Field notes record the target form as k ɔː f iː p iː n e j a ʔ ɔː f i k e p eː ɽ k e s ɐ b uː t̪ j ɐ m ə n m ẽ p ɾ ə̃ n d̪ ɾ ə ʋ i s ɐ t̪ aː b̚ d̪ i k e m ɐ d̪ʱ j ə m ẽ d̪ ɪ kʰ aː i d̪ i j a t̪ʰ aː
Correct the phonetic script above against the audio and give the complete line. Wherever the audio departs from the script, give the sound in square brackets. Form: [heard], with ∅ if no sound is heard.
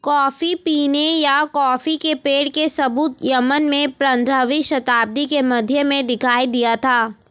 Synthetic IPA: k ɔː f [i] p iː n e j a [k] ɔː f i k e p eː ɽ k e s ɐ b uː t̪ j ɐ m ə n m ẽ p ɾ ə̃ n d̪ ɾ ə ʋ i [ʃ] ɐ t̪ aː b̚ d̪ i k e m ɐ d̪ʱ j ə m ẽ d̪ ɪ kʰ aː i d̪ i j a t̪ʰ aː

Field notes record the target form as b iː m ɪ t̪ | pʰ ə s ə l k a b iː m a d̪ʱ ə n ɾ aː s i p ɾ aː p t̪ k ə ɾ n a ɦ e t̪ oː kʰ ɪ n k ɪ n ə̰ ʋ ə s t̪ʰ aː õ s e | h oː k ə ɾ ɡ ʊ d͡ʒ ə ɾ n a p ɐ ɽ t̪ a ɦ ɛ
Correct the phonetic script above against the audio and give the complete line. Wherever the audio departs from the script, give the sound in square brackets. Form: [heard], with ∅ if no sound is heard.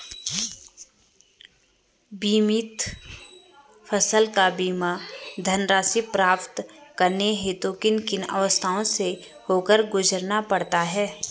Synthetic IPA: b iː m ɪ t̪ | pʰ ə s ə l k a b iː m a d̪ʱ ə n ɾ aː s i p ɾ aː p t̪ k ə ɾ n [e] ɦ e t̪ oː [k] ɪ n k ɪ n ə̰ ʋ ə s t̪ʰ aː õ s e | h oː k ə ɾ ɡ ʊ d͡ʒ ə ɾ n a p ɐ ɽ t̪ a ɦ [ɛː]

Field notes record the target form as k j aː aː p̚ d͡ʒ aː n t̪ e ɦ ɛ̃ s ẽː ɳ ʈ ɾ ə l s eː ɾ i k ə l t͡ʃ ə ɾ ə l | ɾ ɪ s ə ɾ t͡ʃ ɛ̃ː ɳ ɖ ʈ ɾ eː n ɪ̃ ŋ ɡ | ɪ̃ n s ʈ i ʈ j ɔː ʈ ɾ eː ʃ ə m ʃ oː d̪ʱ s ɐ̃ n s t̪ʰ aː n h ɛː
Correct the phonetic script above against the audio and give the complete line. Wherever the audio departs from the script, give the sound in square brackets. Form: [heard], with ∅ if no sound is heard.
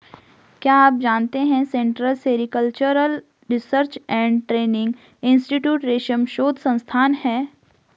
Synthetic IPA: k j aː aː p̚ d͡ʒ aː n t̪ e ɦ ɛ̃ s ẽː ɳ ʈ ɾ ə l s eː ɾ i k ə l t͡ʃ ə ɾ ə l | ɾ ɪ s ə ɾ t͡ʃ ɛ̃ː ɳ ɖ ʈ ɾ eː n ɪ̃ ŋ ɡ | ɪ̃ n s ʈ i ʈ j [uː] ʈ ɾ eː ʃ ə m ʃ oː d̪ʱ s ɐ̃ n s t̪ʰ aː n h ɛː

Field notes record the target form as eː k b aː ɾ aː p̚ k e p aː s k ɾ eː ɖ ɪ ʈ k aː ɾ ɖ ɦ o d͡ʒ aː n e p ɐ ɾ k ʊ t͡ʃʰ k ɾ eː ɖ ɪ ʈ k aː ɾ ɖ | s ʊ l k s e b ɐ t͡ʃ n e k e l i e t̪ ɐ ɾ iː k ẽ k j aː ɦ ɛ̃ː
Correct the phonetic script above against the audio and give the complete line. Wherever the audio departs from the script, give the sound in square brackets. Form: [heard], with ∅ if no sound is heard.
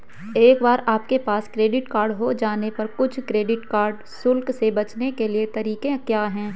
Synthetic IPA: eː k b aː ɾ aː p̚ k e p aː s k ɾ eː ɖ ɪ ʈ k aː ɾ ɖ ɦ o d͡ʒ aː n e p ɐ ɾ k ʊ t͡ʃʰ k ɾ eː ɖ ɪ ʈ k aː ɾ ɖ | s ʊ l k s e b ɐ t͡ʃ n e k e l i e t̪ ɐ ɾ iː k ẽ k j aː ɦ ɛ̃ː

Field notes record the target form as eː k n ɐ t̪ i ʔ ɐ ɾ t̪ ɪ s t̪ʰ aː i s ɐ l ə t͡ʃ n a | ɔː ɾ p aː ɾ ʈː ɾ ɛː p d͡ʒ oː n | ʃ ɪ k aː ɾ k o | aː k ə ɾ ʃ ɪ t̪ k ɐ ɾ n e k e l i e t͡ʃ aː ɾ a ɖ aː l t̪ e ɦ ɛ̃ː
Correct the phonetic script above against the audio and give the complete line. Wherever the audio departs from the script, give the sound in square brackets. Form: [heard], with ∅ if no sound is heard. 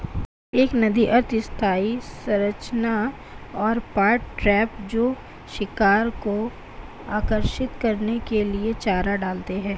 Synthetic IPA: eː k n ɐ [d̪] i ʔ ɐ ɾ t̪ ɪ s t̪ʰ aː i s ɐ [ɾ] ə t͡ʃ n a | ɔː ɾ p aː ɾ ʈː ɾ ɛː p d͡ʒ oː [∅] | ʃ ɪ k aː ɾ k o | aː k ə ɾ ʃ ɪ t̪ k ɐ ɾ n e k e l i e t͡ʃ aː ɾ a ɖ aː l t̪ e ɦ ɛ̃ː

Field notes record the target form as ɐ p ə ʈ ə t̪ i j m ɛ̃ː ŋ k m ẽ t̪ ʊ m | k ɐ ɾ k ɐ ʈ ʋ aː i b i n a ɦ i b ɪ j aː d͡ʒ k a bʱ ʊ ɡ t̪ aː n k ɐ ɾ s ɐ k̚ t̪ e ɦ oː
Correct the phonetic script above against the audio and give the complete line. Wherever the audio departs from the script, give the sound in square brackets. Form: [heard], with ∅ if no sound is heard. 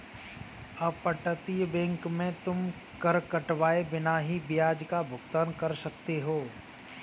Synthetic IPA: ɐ p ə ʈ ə t̪ i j [b] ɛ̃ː ŋ k m ẽ t̪ ʊ m | k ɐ ɾ k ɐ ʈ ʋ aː [e] b [ɪ] n a ɦ i b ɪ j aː d͡ʒ k a bʱ ʊ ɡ t̪ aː n k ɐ ɾ s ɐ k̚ t̪ e ɦ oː

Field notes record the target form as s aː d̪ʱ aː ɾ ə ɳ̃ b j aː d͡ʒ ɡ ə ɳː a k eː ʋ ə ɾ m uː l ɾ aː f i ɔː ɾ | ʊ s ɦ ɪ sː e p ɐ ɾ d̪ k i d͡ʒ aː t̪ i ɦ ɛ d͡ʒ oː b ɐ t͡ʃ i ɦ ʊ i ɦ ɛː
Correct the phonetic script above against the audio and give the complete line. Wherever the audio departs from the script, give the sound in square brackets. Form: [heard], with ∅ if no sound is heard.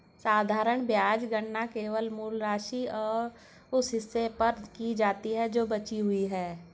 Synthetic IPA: s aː d̪ʱ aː ɾ ə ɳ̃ b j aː d͡ʒ ɡ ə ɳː a k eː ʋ ə [l] m uː l ɾ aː [ʃ] i ɔː ɾ | ʊ s ɦ ɪ sː e p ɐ ɾ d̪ k i d͡ʒ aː t̪ i ɦ ɛ d͡ʒ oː b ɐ t͡ʃ i ɦ ʊ i ɦ ɛː

